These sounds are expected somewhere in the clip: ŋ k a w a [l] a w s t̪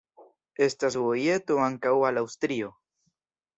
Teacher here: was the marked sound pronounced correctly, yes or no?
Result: yes